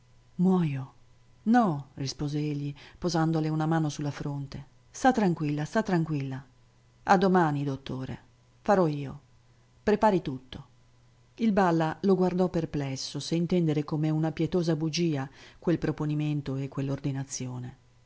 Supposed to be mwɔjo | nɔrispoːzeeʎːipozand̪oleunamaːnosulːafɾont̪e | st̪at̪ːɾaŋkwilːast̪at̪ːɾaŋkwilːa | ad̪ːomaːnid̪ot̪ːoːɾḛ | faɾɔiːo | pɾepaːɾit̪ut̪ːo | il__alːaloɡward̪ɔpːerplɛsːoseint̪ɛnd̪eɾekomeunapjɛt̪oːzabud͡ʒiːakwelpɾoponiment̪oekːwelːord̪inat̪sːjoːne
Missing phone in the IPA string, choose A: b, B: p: A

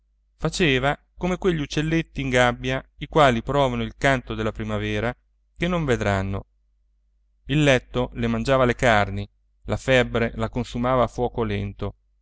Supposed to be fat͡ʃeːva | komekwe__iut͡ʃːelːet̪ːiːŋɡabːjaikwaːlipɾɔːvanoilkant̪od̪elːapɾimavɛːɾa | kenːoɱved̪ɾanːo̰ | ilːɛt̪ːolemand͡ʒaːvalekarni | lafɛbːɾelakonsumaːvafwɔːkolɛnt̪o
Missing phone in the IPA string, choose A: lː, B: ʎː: B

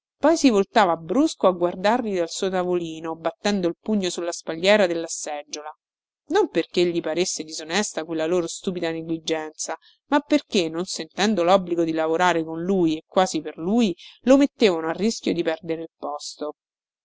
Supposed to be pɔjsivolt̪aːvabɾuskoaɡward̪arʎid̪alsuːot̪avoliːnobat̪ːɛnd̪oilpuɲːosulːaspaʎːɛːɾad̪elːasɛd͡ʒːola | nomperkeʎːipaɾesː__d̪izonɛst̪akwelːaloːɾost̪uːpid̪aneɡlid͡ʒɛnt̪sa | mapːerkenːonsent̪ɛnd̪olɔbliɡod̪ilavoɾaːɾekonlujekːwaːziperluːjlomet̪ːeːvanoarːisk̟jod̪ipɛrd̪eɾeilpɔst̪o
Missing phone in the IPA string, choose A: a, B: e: B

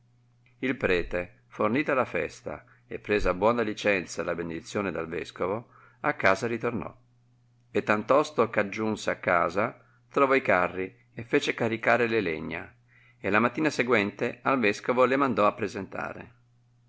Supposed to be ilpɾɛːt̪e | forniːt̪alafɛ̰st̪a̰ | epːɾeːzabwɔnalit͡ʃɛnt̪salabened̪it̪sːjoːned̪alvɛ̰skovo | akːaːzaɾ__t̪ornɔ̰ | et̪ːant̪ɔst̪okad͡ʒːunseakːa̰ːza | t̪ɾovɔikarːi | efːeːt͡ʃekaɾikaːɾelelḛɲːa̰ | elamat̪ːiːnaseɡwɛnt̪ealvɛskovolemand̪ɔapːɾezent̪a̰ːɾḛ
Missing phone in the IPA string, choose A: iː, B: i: B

